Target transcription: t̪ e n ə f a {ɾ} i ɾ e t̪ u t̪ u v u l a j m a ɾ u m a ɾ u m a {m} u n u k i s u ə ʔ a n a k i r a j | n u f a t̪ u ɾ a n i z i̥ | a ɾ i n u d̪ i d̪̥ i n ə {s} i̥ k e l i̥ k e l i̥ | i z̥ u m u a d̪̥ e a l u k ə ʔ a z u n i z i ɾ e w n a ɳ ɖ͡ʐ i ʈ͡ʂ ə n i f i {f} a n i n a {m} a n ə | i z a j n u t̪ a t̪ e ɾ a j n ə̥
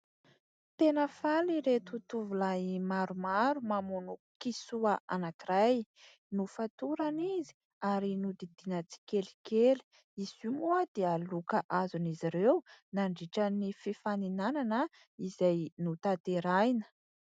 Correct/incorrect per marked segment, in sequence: incorrect: l, correct, incorrect: t͡s, correct, incorrect: n

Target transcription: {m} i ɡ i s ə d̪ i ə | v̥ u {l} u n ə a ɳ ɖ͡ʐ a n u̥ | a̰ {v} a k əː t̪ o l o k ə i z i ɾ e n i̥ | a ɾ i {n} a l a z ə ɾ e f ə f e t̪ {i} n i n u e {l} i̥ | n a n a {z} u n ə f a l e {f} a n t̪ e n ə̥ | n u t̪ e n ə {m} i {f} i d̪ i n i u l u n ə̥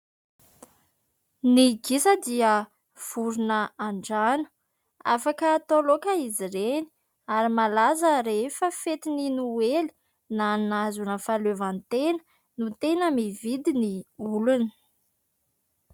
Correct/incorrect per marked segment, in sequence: incorrect: n, incorrect: ɾ, incorrect: f, incorrect: m, correct, correct, correct, incorrect: v, correct, incorrect: v

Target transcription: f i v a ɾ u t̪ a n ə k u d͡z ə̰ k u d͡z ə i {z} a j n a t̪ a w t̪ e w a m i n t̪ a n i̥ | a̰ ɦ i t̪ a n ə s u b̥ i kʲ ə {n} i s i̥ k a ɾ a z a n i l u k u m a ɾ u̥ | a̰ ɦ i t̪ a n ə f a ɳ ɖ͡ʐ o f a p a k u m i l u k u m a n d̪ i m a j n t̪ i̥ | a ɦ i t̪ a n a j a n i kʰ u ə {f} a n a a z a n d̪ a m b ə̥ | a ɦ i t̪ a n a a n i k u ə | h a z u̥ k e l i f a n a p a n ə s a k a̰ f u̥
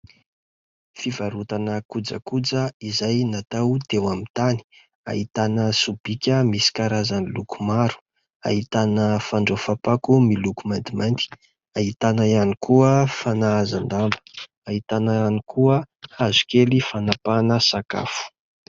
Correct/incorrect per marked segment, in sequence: correct, incorrect: m, correct

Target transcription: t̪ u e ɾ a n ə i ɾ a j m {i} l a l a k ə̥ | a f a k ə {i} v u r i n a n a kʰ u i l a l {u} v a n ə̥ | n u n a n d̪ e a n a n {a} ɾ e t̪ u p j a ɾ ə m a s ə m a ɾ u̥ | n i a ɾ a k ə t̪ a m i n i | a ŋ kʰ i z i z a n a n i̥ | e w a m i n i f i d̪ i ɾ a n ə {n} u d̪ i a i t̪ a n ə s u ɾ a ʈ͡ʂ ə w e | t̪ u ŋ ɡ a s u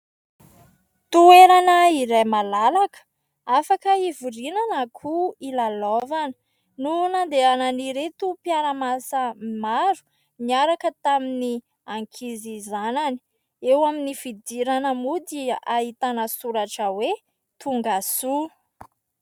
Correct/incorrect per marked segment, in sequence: incorrect: a, correct, incorrect: o, incorrect: i, incorrect: m

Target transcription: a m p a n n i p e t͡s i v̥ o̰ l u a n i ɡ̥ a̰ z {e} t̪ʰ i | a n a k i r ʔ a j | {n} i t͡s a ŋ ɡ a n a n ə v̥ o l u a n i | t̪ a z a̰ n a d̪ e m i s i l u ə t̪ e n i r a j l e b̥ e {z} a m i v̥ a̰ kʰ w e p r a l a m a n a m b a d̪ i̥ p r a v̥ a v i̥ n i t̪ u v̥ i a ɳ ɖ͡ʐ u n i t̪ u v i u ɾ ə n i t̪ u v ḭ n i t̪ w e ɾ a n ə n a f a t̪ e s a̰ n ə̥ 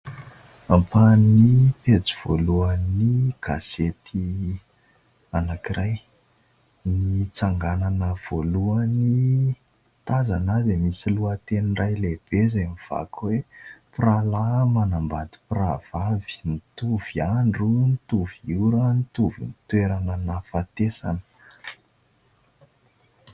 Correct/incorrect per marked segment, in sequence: correct, correct, correct

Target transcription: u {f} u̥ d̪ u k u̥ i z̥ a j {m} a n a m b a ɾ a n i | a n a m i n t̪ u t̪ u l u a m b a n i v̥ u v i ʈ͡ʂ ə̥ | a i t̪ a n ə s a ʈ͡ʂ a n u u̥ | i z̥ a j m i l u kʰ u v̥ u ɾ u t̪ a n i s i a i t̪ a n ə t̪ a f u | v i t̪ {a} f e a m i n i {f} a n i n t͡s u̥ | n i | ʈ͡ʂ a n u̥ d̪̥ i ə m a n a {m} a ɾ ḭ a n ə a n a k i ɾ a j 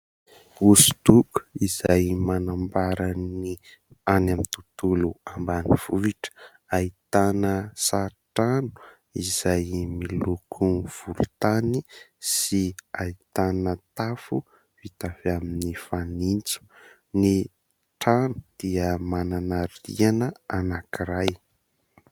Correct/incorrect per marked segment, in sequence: incorrect: s, correct, correct, correct, incorrect: n

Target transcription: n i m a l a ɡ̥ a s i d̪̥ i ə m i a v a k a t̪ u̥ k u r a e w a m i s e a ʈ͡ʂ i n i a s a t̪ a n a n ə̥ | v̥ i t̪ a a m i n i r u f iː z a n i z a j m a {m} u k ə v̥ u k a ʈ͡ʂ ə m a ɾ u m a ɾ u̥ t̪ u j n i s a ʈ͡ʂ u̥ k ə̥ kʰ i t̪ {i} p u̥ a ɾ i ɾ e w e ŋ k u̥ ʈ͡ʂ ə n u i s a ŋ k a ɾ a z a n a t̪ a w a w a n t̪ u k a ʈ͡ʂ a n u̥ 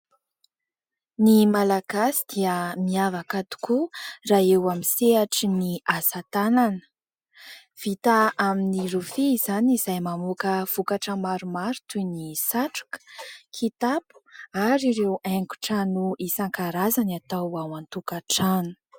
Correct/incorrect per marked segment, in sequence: correct, incorrect: a

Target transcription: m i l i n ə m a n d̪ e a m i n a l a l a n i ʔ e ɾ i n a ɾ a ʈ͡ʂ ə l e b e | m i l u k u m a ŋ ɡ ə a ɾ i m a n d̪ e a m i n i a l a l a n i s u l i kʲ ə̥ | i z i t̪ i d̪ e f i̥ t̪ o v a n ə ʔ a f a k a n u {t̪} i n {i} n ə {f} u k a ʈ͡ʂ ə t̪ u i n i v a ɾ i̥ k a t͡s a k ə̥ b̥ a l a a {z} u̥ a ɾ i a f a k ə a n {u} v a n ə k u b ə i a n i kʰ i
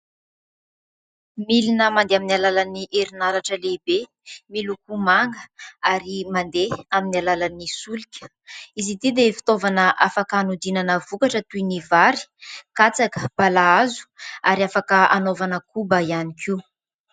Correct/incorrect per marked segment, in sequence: incorrect: d̪, incorrect: a, incorrect: v, correct, incorrect: o

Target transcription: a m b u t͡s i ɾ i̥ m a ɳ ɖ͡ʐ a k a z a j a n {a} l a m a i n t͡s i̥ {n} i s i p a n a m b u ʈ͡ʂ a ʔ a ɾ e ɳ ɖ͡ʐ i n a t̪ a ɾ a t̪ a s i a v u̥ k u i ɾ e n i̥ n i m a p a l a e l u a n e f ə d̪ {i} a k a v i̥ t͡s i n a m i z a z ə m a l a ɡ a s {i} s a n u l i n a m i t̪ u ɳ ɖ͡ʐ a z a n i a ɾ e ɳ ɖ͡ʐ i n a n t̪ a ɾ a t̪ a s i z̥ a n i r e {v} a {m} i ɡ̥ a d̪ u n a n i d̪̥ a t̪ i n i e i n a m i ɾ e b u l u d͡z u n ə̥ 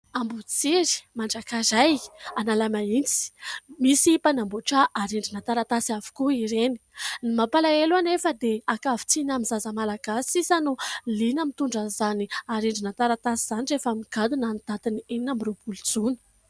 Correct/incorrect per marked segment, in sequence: correct, incorrect: m, incorrect: e, correct, incorrect: f, correct

